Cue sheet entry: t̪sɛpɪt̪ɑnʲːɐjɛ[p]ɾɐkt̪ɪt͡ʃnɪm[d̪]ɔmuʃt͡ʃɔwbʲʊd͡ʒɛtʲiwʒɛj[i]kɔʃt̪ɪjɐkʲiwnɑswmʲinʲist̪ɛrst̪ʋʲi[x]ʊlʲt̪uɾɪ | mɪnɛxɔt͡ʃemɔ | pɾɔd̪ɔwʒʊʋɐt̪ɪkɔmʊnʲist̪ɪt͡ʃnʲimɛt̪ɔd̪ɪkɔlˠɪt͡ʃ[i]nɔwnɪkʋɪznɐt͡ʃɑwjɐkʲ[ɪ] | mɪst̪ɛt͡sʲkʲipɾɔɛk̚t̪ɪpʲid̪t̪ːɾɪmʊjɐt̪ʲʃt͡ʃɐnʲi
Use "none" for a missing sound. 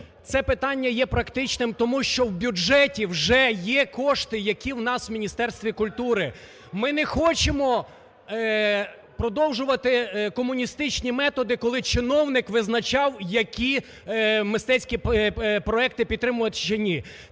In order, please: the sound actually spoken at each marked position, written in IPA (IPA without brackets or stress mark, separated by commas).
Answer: p, t̪, ɛ, k, ɪ, i